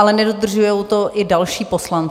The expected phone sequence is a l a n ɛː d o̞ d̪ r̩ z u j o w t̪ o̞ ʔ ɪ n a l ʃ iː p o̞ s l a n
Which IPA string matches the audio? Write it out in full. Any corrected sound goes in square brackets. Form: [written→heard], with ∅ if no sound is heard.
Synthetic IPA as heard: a l [a→ɛ] n [ɛː→ɛ] d o̞ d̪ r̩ [z→ʒ] u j o w t̪ o̞ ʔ ɪ [n→d] a l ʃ iː p o̞ s l a n

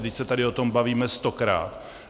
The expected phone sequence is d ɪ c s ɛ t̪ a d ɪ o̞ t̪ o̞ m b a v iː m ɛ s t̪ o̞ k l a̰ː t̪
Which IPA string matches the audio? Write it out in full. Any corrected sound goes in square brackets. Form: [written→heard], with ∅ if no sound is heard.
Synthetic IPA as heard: d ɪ c s ɛ t̪ a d ɪ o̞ t̪ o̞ m b a v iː m ɛ s t̪ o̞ k [l→ɾ] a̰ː t̪

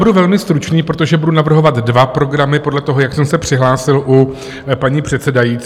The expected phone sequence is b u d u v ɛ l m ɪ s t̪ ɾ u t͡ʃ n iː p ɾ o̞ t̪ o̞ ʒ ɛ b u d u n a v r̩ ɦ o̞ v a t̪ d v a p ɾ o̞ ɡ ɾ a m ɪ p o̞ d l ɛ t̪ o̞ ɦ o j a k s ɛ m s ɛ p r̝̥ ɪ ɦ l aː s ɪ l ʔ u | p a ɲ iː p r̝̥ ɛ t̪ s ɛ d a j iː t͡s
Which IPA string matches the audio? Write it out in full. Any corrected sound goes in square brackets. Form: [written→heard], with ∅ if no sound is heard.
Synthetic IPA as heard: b u d u v ɛ l m ɪ s t̪ ɾ u t͡ʃ n iː p ɾ o̞ t̪ o̞ ʒ ɛ b u d u n a v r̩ ɦ o̞ v a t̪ d v a p ɾ o̞ ɡ ɾ a m ɪ p o̞ d l ɛ t̪ o̞ ɦ o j a k s ɛ m s ɛ p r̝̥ ɪ ɦ l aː s ɪ l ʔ u | p a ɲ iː p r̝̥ ɛ t̪ s ɛ d a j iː t͡s

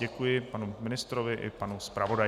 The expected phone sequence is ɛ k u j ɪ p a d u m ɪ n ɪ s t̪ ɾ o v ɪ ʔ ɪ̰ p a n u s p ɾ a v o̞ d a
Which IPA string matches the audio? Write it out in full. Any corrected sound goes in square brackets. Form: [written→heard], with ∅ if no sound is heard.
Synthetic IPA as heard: ɛ k u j ɪ p a [d→n] u m ɪ n ɪ s t̪ ɾ o v ɪ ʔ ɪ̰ p a n u s p ɾ a v o̞ d a

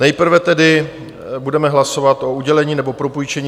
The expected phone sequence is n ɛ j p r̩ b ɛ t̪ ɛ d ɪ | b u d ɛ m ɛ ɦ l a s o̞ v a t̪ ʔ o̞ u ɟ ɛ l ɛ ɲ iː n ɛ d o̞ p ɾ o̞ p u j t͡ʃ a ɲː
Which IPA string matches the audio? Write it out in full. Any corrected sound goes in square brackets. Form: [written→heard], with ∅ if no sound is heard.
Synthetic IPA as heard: n ɛ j p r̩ [b→v] ɛ t̪ ɛ d ɪ | b u d ɛ m ɛ ɦ l a s o̞ v a t̪ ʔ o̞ u ɟ ɛ l ɛ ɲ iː n ɛ [d→b] o̞ p ɾ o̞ p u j t͡ʃ [a→ɛ] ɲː

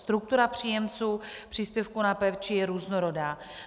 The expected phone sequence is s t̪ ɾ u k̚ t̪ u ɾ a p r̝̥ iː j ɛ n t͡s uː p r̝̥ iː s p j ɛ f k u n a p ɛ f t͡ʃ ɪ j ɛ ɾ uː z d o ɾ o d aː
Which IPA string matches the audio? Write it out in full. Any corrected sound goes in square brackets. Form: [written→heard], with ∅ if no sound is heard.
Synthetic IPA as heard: s t̪ ɾ u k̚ t̪ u ɾ a p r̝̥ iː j ɛ [n→m] t͡s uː p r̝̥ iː s p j ɛ f k u n a p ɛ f t͡ʃ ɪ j ɛ ɾ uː z [d→n] o ɾ o d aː

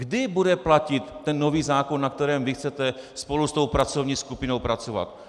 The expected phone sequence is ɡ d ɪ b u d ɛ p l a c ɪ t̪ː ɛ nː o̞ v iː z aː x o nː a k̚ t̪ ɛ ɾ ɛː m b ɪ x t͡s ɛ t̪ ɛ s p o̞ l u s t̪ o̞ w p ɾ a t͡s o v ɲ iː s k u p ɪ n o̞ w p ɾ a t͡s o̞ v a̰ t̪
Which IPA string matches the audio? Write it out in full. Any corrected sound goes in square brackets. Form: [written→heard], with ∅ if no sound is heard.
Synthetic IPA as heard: ɡ d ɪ b u d ɛ p l a c ɪ t̪ː ɛ nː o̞ v iː z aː [x→k] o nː a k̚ t̪ ɛ ɾ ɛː m [b→v] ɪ x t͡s ɛ t̪ ɛ s p o̞ l u s t̪ o̞ w p ɾ a t͡s o v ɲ iː s k u p ɪ n o̞ w p ɾ a t͡s o̞ v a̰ t̪

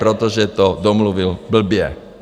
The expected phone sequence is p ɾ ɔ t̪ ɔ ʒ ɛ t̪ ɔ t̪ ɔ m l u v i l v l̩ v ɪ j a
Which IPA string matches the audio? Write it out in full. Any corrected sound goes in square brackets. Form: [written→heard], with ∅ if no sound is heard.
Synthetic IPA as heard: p ɾ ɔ t̪ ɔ ʒ ɛ t̪ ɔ [t̪→d̪] ɔ m l u [v→ʋ] i l [v→b] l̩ [v→b] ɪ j [a→ɛ]

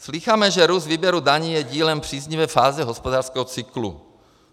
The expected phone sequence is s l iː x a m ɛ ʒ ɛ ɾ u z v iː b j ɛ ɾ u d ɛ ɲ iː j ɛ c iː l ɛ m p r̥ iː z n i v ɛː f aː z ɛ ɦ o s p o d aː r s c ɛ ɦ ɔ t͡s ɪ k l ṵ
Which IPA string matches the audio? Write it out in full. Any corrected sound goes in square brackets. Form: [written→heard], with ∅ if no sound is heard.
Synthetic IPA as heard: s l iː x a m ɛ ʒ ɛ ɾ u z v iː b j ɛ ɾ u d [ɛ→a] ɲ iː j ɛ [c→ɟ] iː l ɛ m p r̥ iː z [n→ɲ] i v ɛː f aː z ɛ ɦ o s p o d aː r s [c→k] ɛ ɦ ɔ t͡s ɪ k l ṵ

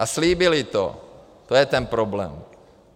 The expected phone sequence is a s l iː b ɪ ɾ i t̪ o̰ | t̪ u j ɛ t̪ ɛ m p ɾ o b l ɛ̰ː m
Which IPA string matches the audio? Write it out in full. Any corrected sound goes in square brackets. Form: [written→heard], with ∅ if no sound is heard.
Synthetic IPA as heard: a s l iː b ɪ [ɾ→l] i t̪ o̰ | t̪ [u→o] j ɛ t̪ ɛ [m→n] p ɾ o b l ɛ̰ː m

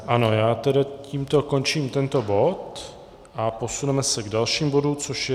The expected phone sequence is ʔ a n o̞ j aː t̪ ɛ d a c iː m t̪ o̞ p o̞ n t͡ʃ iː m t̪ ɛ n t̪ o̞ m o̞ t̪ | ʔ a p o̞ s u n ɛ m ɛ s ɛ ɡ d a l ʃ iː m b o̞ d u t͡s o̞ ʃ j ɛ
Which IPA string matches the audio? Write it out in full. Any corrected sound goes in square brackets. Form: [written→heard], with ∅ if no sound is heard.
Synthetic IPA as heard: ʔ a n o̞ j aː t̪ ɛ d a c iː m t̪ o̞ [p→k] o̞ n t͡ʃ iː m t̪ ɛ n t̪ o̞ [m→b] o̞ t̪ | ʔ a p o̞ s u n ɛ m ɛ s ɛ ɡ d a l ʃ iː m b o̞ d u t͡s o̞ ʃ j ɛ

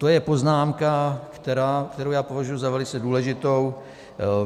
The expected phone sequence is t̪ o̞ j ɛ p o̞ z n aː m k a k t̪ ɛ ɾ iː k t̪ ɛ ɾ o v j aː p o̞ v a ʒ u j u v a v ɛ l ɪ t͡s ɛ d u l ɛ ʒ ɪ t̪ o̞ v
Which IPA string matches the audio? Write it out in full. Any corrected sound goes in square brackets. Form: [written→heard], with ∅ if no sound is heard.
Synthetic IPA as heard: t̪ o̞ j ɛ p o̞ z n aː m k a k t̪ ɛ ɾ [iː→aː] k t̪ ɛ ɾ o [v→w] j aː p o̞ v a ʒ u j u [v→z] a v ɛ l ɪ t͡s ɛ d [u→uː] l ɛ ʒ ɪ t̪ o̞ [v→w]

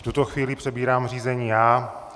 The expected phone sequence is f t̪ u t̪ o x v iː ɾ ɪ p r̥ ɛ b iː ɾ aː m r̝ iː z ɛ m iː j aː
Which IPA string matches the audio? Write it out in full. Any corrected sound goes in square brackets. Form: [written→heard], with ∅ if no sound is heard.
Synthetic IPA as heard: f t̪ u t̪ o x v iː [ɾ→l] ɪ p r̥ ɛ b iː ɾ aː m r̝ iː z ɛ [m→ɲ] iː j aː

